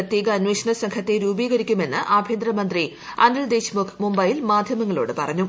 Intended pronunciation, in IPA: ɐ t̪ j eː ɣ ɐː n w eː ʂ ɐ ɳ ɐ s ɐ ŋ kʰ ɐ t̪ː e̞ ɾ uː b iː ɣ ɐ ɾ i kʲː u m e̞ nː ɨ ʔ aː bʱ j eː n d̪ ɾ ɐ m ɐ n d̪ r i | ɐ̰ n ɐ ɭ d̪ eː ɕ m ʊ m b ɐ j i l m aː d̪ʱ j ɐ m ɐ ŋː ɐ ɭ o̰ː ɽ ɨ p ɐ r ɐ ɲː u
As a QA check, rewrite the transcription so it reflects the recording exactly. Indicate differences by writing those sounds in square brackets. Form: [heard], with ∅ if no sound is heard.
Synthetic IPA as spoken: ɐ t̪ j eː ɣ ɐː n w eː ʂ ɐ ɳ ɐ s ɐ ŋ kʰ ɐ t̪ː e̞ ɾ uː b iː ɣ ɐ ɾ i kʲː u m e̞ nː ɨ ʔ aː bʱ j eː n d̪ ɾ ɐ m ɐ n d̪ r i | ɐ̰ n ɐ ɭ d̪ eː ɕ m [u] m b ɐ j i l m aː d̪ʱ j ɐ m ɐ ŋː ɐ ɭ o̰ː ɽ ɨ p ɐ r ɐ ɲː u